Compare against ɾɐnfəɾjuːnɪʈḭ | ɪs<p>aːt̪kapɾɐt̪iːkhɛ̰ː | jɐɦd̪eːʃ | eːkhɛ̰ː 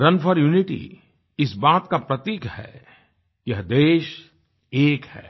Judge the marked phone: incorrect: b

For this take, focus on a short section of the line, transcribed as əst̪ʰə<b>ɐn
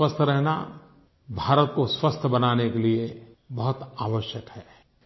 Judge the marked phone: correct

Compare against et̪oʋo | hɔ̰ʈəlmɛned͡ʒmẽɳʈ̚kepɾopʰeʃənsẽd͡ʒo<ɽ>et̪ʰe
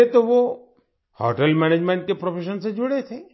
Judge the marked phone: correct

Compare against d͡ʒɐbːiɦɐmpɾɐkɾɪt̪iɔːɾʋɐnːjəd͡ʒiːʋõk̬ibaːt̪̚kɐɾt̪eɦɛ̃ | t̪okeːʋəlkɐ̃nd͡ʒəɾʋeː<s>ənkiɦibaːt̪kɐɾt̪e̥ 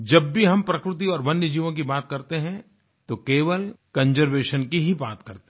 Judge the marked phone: incorrect: ʃ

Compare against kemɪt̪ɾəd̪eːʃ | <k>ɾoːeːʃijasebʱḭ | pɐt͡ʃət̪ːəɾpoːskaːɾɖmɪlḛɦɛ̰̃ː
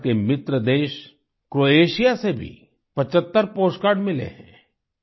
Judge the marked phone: correct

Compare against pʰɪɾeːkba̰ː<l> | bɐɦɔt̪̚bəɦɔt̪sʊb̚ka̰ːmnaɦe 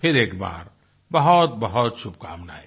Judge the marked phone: incorrect: ɾ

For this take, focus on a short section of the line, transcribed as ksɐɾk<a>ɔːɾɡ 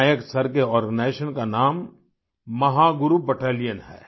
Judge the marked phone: incorrect: e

